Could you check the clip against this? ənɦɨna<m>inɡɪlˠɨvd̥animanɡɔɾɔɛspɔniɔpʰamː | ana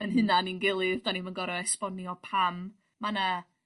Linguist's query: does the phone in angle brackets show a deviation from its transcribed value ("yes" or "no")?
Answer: yes